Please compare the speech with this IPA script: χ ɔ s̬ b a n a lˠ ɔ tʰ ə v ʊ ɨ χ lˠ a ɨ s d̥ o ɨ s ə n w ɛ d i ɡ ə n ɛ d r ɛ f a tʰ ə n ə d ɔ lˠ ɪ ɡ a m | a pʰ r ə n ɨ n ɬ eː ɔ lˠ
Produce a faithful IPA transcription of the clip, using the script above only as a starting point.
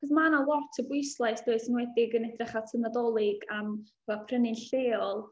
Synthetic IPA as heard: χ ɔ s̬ m a n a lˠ ɔ tʰ ə b ʊ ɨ s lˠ a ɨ s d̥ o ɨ s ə n w ɛ d ɪ ɡ ə n ɛ d r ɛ χ a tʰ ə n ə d ɔ lˠ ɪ ɡ a m | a pʰ r ə n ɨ n ɬ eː ɔ lˠ